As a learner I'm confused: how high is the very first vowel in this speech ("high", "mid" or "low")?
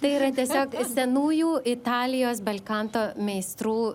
low